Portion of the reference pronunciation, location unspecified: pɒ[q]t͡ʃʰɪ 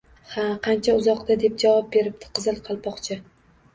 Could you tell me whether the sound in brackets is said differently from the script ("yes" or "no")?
no